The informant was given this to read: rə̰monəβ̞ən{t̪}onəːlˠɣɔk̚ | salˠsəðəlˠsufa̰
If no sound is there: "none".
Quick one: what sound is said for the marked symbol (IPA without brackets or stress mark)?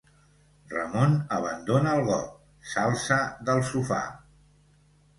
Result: d̪